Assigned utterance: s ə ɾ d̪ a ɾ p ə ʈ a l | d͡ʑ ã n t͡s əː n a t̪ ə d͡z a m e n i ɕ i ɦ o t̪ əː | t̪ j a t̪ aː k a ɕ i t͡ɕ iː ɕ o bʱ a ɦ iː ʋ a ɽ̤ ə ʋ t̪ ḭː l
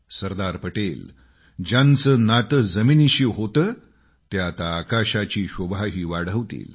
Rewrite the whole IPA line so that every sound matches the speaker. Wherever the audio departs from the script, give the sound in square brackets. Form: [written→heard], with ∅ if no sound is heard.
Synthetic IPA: s ə ɾ d̪ a ɾ p ə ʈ [a→e] l | d͡ʑ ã n t͡s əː n a t̪ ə d͡z [a→ə] m [e→i] n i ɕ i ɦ o t̪ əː | t̪ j a t̪ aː k a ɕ [i→a] t͡ɕ iː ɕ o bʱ a ɦ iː ʋ a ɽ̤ ə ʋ t̪ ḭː l